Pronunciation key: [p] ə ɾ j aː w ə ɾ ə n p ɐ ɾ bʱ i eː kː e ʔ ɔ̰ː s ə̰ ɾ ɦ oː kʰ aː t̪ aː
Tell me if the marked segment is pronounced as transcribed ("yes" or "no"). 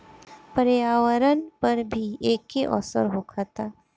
yes